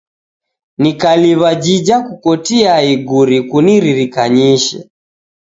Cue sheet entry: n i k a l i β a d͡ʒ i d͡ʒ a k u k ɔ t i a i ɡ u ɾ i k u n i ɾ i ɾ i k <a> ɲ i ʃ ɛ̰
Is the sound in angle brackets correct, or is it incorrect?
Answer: correct